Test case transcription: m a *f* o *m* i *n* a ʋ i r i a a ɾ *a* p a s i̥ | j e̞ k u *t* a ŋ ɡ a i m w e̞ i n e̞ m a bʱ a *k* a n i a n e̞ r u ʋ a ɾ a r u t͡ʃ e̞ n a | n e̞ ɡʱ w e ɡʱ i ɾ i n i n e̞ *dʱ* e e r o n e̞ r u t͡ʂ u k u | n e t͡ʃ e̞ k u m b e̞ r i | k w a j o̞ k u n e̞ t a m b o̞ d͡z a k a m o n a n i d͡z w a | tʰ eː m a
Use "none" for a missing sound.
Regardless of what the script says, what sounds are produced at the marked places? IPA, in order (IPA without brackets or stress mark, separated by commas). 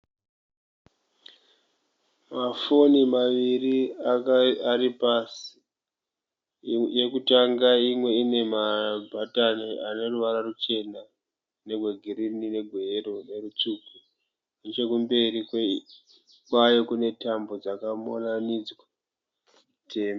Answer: f, n, m, i, t, t, ɡʱ